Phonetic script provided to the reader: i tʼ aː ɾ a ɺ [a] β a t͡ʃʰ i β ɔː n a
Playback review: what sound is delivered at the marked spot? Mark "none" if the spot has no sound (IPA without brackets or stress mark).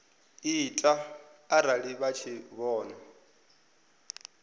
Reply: i